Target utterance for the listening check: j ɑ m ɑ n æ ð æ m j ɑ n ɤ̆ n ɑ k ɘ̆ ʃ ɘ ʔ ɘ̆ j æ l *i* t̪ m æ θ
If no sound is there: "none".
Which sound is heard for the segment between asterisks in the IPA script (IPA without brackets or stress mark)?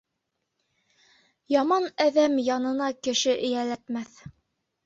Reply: æ